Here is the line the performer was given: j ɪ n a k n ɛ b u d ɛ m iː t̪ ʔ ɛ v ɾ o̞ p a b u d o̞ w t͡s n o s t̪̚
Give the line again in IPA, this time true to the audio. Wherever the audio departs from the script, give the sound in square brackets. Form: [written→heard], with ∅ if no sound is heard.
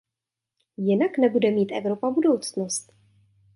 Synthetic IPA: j ɪ n a k n ɛ b u d ɛ m iː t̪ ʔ ɛ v ɾ o̞ p a b u d o̞ w t͡s n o s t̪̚